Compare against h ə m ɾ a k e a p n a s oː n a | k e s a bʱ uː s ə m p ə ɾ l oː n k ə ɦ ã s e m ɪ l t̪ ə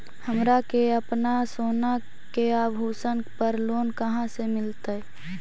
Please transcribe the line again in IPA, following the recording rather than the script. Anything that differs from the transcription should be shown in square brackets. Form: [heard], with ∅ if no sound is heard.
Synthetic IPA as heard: h ə m ɾ a k e [ə] p n a s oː n a | k e [∅] a bʱ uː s ə [n] p ə ɾ l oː n k ə ɦ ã s e m ɪ l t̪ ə